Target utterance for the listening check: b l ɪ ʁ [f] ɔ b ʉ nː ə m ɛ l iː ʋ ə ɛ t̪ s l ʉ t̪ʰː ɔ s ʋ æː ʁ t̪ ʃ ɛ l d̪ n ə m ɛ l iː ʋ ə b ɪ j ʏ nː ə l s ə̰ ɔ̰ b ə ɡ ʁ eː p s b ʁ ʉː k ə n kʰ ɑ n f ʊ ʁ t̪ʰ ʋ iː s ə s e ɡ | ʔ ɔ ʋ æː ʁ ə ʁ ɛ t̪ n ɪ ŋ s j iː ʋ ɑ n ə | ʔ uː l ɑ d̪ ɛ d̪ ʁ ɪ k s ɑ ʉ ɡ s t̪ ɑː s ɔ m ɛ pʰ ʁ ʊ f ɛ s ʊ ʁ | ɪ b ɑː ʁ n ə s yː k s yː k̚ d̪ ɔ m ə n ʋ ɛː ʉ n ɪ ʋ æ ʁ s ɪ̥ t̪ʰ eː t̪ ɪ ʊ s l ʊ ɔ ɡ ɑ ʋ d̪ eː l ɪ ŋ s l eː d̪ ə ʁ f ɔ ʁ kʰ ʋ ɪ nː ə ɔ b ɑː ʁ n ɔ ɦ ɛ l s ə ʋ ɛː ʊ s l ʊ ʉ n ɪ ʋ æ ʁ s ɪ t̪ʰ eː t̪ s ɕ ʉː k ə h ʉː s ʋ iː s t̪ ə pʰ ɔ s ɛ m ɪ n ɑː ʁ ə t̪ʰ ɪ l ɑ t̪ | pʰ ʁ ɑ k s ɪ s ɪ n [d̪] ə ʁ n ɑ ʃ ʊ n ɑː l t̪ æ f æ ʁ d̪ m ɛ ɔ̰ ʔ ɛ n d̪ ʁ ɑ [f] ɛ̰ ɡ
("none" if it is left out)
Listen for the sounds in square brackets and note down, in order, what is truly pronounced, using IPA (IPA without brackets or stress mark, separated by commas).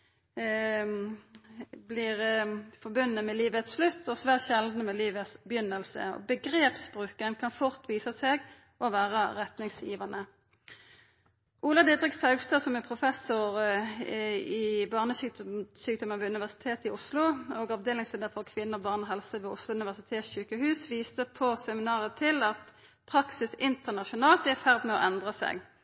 f, t̪, s